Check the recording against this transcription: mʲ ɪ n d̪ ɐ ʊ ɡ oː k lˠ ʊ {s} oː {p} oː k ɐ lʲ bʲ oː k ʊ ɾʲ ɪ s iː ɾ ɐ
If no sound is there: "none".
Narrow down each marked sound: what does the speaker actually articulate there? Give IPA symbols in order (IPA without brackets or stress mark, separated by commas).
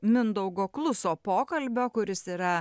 s, p